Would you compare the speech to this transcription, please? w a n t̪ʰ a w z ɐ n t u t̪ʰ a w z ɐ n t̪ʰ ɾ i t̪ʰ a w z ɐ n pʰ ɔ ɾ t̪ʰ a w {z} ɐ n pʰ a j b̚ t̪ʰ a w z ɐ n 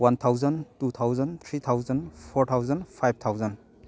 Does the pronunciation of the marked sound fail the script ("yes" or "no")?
no